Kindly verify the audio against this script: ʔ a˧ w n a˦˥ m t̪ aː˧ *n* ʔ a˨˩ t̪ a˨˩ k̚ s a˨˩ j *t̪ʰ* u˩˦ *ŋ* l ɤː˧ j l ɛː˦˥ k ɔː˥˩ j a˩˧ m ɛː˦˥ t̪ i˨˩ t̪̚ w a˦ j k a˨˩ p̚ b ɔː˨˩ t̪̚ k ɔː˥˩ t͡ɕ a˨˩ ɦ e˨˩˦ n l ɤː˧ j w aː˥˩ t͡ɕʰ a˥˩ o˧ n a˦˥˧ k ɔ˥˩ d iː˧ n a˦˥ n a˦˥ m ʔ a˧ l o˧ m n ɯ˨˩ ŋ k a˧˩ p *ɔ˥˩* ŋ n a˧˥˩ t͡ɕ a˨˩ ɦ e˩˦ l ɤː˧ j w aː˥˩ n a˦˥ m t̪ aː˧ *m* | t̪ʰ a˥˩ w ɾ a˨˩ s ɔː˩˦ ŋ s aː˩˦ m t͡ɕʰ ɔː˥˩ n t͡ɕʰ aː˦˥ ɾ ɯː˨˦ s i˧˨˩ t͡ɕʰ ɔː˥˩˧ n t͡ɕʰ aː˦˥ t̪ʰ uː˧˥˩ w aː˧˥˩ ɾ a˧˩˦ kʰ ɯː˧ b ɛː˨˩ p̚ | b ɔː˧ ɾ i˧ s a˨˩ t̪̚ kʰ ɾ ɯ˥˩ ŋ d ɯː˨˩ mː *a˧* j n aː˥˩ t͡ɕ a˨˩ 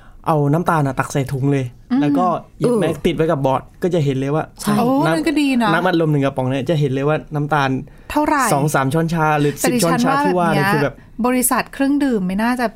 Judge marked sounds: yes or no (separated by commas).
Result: yes, yes, yes, no, no, no